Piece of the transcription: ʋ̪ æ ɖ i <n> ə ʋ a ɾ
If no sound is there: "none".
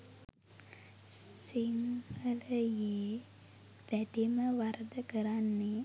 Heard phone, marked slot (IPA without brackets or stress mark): m